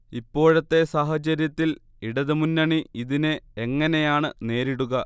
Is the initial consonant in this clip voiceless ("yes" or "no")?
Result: yes